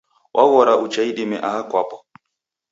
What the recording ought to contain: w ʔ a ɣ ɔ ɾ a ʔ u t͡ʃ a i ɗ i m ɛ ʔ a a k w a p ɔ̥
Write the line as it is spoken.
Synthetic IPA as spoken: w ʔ a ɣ ɔ ɾ a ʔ u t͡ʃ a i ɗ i m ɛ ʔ a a k w a p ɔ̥